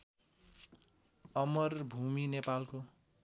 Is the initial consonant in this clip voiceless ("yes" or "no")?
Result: no